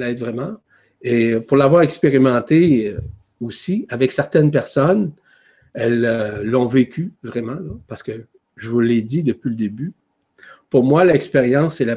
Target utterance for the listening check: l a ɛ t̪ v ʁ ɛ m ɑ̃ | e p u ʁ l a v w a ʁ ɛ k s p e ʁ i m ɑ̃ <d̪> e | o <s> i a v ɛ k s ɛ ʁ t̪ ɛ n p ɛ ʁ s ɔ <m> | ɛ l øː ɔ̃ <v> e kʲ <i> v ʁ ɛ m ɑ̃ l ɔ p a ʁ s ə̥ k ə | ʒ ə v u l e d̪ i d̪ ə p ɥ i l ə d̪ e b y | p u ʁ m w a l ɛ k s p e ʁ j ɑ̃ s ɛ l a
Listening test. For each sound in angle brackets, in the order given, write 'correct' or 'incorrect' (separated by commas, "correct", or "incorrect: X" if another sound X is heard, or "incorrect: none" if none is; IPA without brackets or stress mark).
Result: incorrect: t̪, correct, incorrect: n, correct, incorrect: y